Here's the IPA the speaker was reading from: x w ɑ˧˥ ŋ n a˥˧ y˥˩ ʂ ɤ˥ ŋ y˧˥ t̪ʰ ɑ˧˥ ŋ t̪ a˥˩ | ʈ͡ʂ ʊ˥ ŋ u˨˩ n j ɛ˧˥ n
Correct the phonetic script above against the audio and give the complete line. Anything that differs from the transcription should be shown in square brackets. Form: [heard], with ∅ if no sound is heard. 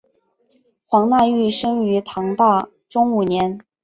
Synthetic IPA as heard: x w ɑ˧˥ ŋ n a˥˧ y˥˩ ʂ ɤ˥ ŋ y˧˥ t̪ʰ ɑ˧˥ ŋ t̪ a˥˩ | ʈ͡ʂ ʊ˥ ŋ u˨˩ n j ɛ˧˥ n